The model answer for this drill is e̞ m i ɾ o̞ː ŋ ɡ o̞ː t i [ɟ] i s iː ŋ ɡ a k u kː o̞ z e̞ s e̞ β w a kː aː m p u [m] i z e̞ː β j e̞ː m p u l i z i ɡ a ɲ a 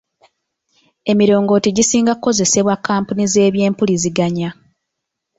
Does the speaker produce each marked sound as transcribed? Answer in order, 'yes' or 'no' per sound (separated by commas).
yes, no